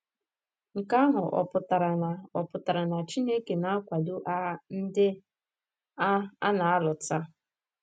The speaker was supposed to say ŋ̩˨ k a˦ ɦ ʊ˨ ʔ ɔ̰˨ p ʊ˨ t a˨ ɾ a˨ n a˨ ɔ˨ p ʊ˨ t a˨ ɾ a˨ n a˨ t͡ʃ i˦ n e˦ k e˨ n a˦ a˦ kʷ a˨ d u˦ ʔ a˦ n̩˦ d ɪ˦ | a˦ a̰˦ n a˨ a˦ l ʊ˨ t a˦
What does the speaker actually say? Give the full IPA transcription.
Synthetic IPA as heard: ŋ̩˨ k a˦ ɦ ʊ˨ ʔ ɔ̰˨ p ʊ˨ t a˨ ɾ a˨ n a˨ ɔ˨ p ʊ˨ t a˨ ɾ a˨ n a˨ t͡ʃ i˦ n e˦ k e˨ n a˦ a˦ kʷ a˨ d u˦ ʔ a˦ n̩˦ d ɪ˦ | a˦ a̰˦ n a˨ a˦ l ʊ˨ t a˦